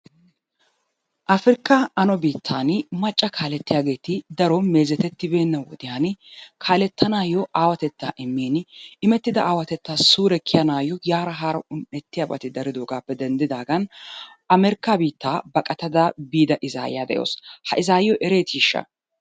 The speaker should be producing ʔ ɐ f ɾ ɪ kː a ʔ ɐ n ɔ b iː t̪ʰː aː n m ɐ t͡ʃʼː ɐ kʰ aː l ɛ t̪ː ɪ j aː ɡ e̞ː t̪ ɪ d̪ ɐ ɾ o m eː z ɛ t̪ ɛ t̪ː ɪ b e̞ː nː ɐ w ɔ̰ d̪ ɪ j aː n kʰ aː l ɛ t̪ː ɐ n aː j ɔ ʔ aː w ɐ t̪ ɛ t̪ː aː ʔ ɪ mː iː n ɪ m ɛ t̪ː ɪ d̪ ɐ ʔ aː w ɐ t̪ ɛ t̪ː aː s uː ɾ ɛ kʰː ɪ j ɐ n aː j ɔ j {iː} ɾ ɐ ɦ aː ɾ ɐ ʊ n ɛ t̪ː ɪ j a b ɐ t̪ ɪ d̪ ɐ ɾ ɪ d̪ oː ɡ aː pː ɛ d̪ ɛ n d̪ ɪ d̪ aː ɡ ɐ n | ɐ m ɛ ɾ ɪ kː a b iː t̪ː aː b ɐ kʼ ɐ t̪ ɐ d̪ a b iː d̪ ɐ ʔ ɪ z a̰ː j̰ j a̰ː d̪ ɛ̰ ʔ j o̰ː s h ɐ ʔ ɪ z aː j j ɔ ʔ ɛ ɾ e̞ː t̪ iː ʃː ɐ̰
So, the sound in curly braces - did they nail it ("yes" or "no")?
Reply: no